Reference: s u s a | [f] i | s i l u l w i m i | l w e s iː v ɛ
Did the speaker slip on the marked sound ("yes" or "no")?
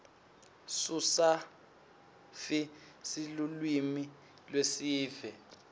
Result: no